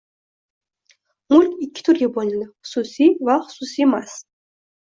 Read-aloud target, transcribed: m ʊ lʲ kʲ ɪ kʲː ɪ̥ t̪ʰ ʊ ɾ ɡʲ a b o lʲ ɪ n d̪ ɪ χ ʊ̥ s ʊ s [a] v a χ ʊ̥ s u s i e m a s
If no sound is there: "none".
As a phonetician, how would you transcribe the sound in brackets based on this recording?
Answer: i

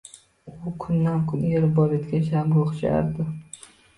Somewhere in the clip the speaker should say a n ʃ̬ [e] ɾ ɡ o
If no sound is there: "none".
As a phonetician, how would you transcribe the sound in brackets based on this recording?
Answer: a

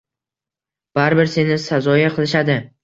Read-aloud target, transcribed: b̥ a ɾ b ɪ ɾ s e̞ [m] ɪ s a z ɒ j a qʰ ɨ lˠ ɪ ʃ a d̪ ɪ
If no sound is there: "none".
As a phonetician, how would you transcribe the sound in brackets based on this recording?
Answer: n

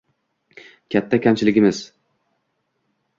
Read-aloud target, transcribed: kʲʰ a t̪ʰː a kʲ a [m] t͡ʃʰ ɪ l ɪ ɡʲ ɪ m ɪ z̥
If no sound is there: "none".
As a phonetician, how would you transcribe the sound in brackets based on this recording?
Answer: m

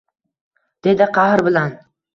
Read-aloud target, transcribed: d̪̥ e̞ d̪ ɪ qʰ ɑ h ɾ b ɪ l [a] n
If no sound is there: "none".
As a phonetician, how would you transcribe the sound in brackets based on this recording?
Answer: a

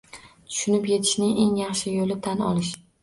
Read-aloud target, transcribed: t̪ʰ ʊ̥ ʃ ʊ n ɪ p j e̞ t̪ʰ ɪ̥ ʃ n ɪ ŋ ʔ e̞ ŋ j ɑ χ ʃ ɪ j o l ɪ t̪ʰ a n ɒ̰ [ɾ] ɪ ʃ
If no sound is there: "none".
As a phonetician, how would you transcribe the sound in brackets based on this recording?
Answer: l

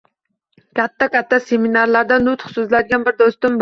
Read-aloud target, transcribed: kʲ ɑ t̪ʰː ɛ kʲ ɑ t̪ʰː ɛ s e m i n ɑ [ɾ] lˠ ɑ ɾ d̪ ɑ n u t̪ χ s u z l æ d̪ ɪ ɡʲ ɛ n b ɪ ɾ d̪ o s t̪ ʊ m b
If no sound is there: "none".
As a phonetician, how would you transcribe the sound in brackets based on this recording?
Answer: ɾ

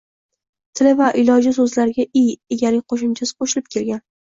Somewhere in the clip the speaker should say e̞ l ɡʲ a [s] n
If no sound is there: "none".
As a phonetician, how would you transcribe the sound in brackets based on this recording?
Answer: none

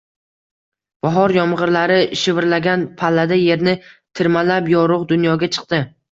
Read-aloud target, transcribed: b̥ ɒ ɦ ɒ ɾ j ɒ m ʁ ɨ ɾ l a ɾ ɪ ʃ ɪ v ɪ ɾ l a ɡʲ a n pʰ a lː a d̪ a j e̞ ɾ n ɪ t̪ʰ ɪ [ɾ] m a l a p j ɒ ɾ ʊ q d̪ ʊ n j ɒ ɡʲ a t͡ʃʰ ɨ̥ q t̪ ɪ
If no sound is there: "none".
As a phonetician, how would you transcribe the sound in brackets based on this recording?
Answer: ɾ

